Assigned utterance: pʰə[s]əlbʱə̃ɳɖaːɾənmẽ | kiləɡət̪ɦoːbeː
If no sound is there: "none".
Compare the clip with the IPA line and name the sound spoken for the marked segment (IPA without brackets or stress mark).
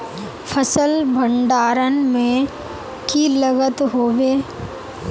s